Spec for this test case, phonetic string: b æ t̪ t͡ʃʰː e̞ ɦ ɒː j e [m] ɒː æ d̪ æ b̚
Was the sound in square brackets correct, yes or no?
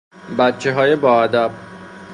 no